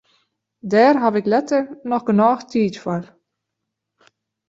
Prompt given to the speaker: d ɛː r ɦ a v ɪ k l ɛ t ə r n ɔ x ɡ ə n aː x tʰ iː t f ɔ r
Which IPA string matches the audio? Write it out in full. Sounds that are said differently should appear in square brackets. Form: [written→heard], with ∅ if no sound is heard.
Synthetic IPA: d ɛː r ɦ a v ɪ k l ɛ t ə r n ɔ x ɡ ə n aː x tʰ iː t f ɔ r

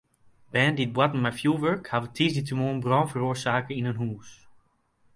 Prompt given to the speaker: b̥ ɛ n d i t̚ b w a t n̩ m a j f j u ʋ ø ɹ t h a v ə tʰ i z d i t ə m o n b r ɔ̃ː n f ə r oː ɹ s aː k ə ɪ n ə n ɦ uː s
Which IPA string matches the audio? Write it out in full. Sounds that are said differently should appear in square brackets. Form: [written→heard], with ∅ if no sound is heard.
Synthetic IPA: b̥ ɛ n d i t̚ b w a t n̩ m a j f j u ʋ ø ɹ [t→k] h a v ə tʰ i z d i t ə m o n b r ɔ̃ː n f ə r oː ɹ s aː k ə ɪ n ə n ɦ uː s

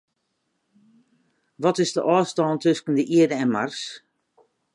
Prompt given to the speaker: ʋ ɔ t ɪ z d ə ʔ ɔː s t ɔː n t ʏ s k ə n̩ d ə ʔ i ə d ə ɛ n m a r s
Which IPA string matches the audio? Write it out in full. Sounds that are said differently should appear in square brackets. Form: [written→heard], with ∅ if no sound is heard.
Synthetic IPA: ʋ ɔ t ɪ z d ə ʔ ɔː s t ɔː n t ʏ s k ə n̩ d ə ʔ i ə d ə ɛ n m a r s

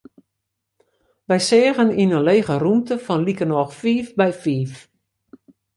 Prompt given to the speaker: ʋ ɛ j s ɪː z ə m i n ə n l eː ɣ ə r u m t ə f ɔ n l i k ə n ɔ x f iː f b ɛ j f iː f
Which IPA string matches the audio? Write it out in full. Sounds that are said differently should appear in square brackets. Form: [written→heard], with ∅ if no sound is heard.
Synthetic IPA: ʋ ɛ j s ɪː [z→ɣ] ə [m→n] i n ə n l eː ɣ ə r u m t ə f ɔ n l i k ə n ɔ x f iː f b ɛ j f iː f

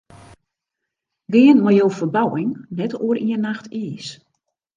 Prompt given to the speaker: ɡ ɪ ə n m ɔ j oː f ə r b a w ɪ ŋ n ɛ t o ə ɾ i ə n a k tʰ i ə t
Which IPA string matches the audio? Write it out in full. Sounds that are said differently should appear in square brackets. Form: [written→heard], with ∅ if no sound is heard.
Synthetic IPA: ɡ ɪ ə n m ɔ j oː f ə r b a w ɪ ŋ n ɛ t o ə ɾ i ə n a [k→x] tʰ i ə [t→s]

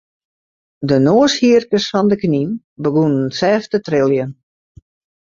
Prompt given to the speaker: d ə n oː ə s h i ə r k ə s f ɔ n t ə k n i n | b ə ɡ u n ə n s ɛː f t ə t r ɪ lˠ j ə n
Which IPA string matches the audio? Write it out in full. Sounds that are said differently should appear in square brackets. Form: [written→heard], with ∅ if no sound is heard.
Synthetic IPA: d ə n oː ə s h i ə r k ə s f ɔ n [t→d] ə k n i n | b ə ɡ u n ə n s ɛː f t ə t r ɪ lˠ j ə n

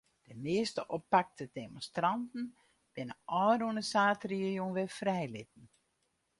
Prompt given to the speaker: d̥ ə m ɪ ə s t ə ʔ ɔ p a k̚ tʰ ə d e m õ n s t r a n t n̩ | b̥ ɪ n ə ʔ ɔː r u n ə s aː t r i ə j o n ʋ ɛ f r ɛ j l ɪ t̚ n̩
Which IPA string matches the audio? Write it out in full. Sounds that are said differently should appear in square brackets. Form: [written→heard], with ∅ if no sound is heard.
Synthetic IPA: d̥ ə m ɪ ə s t ə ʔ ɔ p a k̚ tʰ ə d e m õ n s t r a n t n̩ | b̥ ɪ n ə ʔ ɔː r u n ə s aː t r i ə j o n ʋ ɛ f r ɛ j l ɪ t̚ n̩

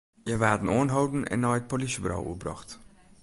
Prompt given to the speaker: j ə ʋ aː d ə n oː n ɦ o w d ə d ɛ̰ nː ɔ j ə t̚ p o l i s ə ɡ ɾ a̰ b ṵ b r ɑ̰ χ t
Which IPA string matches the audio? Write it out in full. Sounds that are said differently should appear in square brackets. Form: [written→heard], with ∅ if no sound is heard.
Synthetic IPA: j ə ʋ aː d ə n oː n ɦ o w d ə [d→n] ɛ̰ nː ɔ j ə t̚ p o l i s ə [ɡ→b] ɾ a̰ [b→w] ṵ b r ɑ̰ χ t

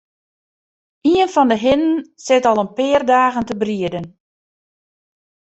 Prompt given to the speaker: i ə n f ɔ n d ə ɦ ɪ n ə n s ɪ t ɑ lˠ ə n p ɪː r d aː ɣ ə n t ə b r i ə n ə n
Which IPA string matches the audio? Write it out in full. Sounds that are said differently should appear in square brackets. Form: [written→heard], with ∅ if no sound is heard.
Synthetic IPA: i ə n f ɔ n d ə ɦ ɪ n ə n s ɪ t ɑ lˠ ə n p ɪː r d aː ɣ ə n t ə b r i ə [n→d] ə n

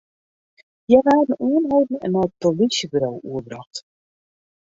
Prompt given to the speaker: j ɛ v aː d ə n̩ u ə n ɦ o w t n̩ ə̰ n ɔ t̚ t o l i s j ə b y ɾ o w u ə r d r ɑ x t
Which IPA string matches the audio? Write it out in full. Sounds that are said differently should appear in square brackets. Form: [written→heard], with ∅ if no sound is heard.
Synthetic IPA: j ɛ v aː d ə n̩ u ə n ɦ o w [t→d] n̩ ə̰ n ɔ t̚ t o l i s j ə b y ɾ o w u ə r [d→b] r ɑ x t

